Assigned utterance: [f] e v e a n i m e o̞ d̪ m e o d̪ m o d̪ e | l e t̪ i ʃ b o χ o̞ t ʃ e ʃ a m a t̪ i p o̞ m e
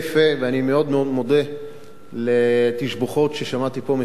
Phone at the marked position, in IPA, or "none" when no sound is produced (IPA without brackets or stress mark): f